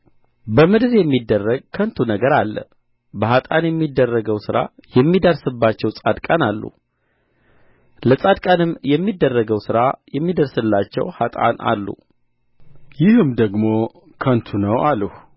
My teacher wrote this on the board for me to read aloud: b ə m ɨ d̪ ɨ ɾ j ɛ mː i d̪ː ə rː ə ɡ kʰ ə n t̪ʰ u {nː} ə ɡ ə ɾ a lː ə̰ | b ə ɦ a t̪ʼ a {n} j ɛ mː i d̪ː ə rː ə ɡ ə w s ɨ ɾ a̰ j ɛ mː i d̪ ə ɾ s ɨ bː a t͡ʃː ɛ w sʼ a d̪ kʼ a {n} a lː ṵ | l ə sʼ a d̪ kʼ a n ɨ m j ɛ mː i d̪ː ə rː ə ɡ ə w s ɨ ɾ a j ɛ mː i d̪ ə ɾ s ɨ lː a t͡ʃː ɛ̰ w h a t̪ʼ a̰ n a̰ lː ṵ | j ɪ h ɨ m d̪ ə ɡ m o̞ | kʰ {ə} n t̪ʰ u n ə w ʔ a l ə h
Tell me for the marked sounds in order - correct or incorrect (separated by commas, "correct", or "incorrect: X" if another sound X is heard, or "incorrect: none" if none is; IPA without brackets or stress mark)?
incorrect: n, correct, correct, correct